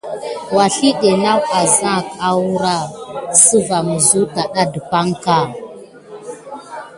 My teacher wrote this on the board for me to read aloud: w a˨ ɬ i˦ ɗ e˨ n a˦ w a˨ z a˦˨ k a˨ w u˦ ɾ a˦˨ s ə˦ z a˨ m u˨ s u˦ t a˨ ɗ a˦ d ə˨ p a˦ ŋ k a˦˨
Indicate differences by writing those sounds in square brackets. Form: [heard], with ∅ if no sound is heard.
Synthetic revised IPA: w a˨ ɬ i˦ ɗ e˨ n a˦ w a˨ z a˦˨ k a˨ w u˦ ɾ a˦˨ s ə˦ [v] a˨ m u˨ [z] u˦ t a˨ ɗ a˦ d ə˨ p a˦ ŋ k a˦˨

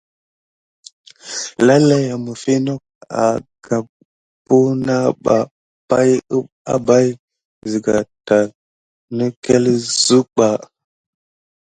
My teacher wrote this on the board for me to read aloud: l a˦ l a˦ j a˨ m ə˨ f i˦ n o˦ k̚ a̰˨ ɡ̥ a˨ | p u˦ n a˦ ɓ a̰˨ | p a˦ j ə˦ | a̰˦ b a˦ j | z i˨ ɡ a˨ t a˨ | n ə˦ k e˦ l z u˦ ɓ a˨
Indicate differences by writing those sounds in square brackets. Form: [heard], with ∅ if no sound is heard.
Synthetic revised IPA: l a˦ l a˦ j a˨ m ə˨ f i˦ n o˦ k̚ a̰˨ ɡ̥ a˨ | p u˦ n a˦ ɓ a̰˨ | p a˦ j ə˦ | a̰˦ b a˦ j | z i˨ ɡ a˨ t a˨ | n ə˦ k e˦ l z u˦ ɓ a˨

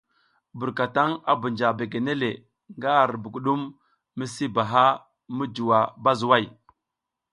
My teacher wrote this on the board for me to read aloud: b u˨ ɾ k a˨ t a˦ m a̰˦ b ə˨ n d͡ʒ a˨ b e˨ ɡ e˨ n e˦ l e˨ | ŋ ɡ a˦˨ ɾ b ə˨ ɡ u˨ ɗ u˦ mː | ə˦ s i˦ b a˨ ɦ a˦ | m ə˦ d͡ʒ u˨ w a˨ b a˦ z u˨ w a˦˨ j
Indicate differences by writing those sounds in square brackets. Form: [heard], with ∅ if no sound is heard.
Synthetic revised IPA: b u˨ ɾ k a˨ t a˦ [ŋ] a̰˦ b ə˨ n d͡ʒ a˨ b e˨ ɡ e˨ n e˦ l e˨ | ŋ ɡ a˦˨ ɾ b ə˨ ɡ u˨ ɗ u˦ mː | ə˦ s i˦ b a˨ ɦ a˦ | m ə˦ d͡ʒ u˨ w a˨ b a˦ z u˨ w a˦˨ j

